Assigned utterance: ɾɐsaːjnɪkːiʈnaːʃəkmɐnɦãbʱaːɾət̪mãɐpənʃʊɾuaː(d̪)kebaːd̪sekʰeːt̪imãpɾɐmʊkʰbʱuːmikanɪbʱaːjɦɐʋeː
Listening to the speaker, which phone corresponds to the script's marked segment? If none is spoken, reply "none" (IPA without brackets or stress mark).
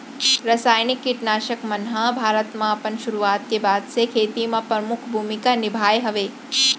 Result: t̪